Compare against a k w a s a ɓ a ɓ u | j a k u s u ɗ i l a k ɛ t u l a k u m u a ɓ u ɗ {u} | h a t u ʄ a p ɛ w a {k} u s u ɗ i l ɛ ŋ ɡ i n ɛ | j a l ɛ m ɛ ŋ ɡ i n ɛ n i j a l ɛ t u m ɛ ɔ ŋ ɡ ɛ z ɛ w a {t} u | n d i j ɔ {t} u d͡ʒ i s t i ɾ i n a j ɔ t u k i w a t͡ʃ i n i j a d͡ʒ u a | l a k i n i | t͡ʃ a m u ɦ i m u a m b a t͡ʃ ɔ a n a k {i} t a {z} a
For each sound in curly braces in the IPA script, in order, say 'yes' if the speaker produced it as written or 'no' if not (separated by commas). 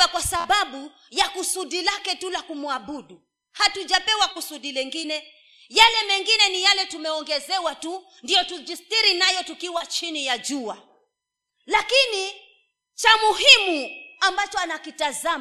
yes, yes, yes, yes, yes, yes